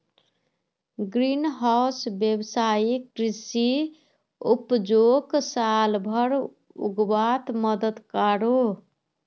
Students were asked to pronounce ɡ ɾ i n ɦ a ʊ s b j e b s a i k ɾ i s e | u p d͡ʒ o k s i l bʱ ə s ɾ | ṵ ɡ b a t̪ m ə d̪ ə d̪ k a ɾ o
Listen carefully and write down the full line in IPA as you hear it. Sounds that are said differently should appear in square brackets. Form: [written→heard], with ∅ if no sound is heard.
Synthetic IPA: ɡ ɾ i n ɦ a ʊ s b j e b s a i k ɾ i s [e→i] | u p d͡ʒ o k s [i→a] l bʱ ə [s→∅] ɾ | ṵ ɡ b a t̪ m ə d̪ ə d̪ k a ɾ o